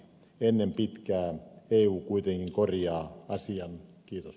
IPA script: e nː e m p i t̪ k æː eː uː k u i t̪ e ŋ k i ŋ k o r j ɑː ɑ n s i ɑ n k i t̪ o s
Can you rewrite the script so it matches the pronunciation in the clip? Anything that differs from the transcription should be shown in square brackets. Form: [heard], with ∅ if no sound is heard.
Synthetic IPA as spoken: e nː e m p i t̪ k æː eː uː k u i t̪ e ŋ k i ŋ k o r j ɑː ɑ [∅] s i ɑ n k [iː] t̪ o s